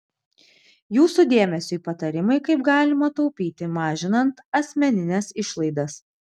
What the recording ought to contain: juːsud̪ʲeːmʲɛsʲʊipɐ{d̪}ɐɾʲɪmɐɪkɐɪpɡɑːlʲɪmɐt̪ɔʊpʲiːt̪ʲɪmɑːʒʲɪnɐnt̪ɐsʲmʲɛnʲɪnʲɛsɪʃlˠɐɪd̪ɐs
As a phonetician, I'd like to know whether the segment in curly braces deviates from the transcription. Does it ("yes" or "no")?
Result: yes